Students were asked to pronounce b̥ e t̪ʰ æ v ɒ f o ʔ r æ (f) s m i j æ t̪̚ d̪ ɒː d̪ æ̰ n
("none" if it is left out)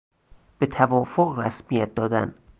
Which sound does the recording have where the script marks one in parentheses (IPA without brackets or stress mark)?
none